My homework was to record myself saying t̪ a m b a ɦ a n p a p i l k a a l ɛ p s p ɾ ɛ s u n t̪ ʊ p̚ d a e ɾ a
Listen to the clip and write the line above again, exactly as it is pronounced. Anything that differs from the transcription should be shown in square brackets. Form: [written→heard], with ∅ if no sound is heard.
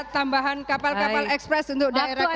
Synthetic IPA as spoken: t̪ a m b a ɦ a n [p→k] a p [i→a] l k a a l ɛ [p→k] s p ɾ ɛ s u n t̪ ʊ [p̚→k̚] d a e ɾ a

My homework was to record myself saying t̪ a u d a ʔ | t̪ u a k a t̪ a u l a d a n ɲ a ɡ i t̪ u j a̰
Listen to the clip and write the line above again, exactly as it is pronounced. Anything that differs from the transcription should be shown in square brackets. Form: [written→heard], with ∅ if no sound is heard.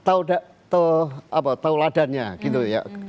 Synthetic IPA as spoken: t̪ a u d a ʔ | t̪ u a [k→p] a t̪ a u l a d a n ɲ a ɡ i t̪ u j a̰

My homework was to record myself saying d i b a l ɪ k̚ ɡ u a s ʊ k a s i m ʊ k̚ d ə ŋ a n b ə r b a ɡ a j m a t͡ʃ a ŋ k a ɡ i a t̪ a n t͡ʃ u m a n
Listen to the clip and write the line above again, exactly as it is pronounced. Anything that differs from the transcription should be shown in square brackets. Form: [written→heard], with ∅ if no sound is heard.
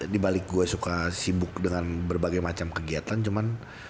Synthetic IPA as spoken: d i b a l ɪ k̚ ɡ u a s [ʊ→u] k a s i [m→b] ʊ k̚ d ə ŋ a n b ə r b a ɡ a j m a t͡ʃ a [ŋ→m] k [a→ə] ɡ i a t̪ a n t͡ʃ u m a n

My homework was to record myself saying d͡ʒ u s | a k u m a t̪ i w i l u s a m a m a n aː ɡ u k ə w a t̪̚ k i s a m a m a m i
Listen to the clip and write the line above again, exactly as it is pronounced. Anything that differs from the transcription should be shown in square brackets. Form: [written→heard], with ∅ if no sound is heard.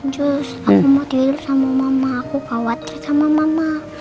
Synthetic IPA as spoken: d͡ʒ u s | a k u m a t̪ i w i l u s a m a m a [n→m] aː [ɡ→k] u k [ə→a] w a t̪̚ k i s a m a m a m [i→a]

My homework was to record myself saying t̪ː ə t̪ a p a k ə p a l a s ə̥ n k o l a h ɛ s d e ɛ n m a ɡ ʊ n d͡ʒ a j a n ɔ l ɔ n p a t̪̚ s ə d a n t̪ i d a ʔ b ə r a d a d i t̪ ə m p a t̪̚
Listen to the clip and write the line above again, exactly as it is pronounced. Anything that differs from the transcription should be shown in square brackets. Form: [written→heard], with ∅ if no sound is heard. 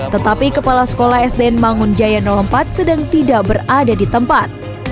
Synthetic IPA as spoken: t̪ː ə t̪ a p [a→i] k ə p a l a s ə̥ [n→∅] k o l a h ɛ s d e ɛ n m a [ɡ→ŋ] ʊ n d͡ʒ a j a n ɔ l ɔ [n→m] p a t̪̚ s ə d a [n→ŋ] t̪ i d a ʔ b ə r a d a d i t̪ ə m p a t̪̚

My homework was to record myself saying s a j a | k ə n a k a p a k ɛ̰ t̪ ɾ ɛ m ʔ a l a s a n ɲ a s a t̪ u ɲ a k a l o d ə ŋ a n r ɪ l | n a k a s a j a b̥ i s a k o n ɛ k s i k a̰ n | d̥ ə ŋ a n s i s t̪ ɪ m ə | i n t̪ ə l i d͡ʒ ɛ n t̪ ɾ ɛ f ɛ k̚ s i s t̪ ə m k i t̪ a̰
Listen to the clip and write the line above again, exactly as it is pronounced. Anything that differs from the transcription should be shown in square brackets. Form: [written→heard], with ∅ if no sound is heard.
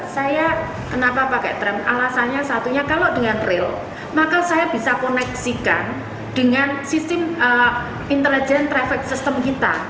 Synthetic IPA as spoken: s a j a | k ə n a [k→p] a p a k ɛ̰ t̪ ɾ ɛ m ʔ a l a s a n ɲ a s a t̪ u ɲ a k a l o d ə ŋ a n r ɪ l | [n→m] a k a s a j a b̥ i s a k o n ɛ k s i k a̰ n | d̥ ə ŋ a n s i s t̪ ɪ m ə | i n t̪ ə l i d͡ʒ ɛ n t̪ ɾ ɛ f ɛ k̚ s i s t̪ ə m k i t̪ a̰

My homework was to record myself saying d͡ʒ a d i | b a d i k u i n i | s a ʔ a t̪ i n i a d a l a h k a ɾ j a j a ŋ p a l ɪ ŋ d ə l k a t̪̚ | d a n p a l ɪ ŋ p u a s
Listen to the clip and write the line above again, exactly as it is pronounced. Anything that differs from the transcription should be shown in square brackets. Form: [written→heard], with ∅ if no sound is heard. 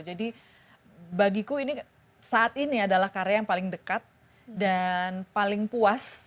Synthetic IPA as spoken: d͡ʒ a d i | b a [d→ɡ] i k u i n i | s a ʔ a t̪ i n i a d a l a h k a ɾ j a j a ŋ p a l ɪ ŋ d ə [l→∅] k a t̪̚ | d a n p a l ɪ ŋ p u a s

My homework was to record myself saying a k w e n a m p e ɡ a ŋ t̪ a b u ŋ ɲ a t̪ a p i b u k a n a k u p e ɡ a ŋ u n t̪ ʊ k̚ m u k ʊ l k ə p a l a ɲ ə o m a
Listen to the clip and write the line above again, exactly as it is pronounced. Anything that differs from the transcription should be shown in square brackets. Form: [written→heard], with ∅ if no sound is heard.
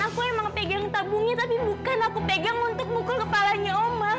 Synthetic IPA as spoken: a k [w→u] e [n→m] a [m→ŋ] p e ɡ a ŋ t̪ a b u ŋ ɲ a t̪ a p i b u k a n a k u p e ɡ a ŋ u n t̪ ʊ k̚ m u k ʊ l k ə p a l a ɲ [ə→a] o m a

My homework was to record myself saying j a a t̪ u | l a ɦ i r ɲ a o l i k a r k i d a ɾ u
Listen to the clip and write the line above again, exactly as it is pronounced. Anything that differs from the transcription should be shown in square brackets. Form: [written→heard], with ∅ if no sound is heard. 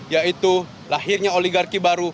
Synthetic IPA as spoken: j a [a→i] t̪ u | l a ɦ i r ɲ a o l i [k→ɡ] a r k i [d→b] a ɾ u

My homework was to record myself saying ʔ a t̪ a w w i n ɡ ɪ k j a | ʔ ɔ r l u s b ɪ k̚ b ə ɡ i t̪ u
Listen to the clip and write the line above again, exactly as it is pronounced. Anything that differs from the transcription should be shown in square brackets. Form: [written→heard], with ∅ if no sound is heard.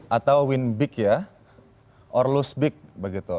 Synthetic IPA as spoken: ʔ a t̪ a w w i n [ɡ→b] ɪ k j a | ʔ ɔ r l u s b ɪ k̚ b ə ɡ i t̪ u

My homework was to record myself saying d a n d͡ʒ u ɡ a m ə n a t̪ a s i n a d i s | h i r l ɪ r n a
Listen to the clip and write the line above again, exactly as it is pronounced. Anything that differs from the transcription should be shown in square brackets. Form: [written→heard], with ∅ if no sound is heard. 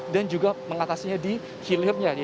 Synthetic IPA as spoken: d a n d͡ʒ u ɡ a m ə [n→ŋ] a t̪ a s i [n→ɲ] a d i [s→∅] | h i [r→∅] l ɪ r [n→ɲ] a

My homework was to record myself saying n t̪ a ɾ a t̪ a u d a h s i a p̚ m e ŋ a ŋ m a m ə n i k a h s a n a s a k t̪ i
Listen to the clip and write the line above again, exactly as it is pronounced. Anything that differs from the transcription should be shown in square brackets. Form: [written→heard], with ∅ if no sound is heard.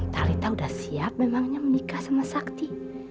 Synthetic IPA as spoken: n t̪ a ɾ [a→i] t̪ a u d a h s i a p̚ m e [ŋ→m] a ŋ [m→ɲ] a m ə n i k a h s a [n→m] a s a k t̪ i

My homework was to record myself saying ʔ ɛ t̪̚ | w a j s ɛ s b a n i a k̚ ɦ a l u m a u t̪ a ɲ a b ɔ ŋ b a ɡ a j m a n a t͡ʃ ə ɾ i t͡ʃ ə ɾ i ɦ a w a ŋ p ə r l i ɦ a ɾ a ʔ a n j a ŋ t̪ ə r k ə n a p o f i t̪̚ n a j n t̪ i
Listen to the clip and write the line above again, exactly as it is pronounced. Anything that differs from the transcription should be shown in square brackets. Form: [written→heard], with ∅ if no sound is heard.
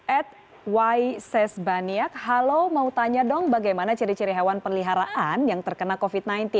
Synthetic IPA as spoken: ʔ ɛ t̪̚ | w a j s ɛ s b a n i a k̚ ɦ a l [u→o] m a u t̪ a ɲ a [b→d] ɔ ŋ b a ɡ a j m a n a t͡ʃ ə ɾ i t͡ʃ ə ɾ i ɦ a w a [ŋ→n] p ə r l i ɦ a ɾ a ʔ a n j a ŋ t̪ ə r k ə n a [p→k] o f i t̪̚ n a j n t̪ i

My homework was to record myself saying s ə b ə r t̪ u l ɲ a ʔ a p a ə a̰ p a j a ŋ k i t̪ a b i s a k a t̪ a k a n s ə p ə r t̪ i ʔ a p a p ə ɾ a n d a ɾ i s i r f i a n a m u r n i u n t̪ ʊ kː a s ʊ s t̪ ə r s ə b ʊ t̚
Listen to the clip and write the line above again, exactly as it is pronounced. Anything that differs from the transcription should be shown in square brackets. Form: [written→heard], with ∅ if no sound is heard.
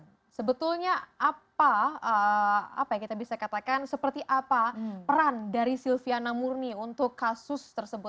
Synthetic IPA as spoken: s ə b ə [r→∅] t̪ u l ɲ a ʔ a p a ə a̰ p a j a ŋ k i t̪ a b i s a k a t̪ a k a n s ə p ə r t̪ i ʔ a p a p ə ɾ a n d a ɾ i s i [r→l] f i a n a m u r n i u n t̪ ʊ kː a s ʊ s t̪ ə r s ə b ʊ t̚

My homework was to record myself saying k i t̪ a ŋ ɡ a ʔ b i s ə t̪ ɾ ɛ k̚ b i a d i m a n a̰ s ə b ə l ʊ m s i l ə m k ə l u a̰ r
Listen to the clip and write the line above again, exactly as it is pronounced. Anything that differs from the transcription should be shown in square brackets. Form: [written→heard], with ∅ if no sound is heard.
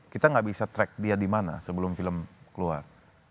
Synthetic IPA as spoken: k i t̪ a ŋ ɡ a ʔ b i s [ə→a] t̪ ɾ ɛ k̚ [b→d] i a d i m a n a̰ s ə b ə l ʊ m [s→f] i l ə m k ə l u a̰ r

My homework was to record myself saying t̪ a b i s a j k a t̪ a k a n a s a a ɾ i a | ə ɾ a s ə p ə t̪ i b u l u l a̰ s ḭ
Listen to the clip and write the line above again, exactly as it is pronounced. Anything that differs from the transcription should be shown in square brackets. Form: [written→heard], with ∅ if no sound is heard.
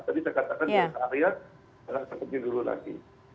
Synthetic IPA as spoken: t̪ a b i s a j k a t̪ a k a n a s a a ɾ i a | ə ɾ a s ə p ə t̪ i [b→d] u l u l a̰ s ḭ

